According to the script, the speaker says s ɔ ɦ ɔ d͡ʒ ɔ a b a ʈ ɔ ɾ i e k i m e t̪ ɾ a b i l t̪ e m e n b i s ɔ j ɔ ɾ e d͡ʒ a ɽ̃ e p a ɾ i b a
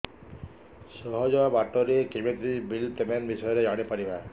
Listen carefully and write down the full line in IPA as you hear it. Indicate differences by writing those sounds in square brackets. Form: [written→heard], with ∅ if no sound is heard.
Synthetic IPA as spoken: s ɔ ɦ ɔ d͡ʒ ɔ a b a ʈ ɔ ɾ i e k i m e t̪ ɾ [a→i] b i l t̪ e m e n b i s ɔ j ɔ ɾ e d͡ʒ a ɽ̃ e p a ɾ i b a